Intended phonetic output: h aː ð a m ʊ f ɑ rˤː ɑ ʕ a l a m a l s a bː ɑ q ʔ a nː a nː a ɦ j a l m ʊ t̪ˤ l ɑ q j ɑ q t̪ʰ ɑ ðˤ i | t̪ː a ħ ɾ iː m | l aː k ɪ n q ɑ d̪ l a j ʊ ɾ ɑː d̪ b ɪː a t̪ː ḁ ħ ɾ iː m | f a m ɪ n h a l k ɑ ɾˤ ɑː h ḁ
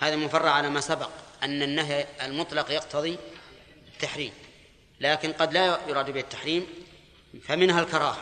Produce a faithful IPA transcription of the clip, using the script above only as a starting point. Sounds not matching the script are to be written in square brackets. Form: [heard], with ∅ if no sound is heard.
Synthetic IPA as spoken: h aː ð a m ʊ f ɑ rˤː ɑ ʕ a l a m a [∅] s a [b] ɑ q ʔ a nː a nː a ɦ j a l m ʊ t̪ˤ l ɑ q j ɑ q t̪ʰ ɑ ðˤ i | t̪ː a ħ ɾ iː m | l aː k ɪ n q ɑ d̪ l a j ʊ ɾ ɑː d̪ b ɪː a t̪ː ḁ ħ ɾ iː m | f a m ɪ n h a l k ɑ ɾˤ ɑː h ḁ